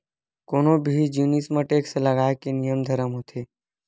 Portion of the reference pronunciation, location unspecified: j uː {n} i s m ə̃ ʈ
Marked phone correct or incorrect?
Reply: correct